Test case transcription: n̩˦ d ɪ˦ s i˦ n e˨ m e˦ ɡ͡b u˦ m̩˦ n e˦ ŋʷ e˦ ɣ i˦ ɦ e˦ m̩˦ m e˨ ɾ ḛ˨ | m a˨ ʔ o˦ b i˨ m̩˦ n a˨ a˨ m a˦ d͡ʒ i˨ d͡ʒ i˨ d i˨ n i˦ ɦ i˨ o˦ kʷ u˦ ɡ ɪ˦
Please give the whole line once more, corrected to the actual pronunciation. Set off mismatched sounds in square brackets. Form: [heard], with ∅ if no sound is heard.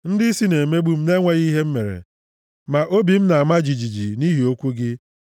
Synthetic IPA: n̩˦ d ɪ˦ s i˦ n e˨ m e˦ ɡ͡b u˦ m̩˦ n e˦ ŋʷ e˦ ɣ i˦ ɦ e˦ m̩˦ m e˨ ɾ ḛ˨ | m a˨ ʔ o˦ b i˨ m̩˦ n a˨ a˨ m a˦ d͡ʒ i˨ d͡ʒ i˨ [d͡ʒ] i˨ n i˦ ɦ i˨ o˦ kʷ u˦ ɡ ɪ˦